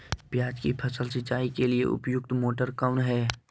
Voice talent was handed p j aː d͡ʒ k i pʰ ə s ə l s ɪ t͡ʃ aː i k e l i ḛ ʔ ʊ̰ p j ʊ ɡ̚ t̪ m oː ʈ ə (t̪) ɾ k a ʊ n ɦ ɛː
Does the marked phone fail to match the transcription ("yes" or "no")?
yes